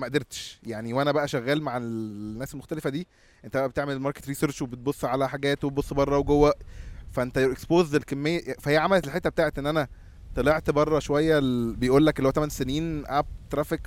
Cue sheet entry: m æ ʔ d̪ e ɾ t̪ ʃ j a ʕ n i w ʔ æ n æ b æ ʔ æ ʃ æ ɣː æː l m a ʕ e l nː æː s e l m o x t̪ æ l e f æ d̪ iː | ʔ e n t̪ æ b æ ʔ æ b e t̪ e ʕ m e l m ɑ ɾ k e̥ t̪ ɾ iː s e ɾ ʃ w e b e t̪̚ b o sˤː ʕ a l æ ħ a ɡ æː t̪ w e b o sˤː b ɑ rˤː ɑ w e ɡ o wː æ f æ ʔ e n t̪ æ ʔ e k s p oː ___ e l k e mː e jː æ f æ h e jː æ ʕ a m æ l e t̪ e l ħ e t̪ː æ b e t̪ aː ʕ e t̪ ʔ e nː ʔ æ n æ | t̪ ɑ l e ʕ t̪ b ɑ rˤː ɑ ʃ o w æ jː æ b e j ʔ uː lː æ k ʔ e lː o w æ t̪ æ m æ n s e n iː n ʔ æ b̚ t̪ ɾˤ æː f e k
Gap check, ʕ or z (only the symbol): z